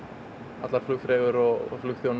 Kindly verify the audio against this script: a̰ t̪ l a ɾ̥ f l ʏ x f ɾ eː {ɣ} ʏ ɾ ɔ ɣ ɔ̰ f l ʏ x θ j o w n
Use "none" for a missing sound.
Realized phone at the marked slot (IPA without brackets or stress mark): ɣ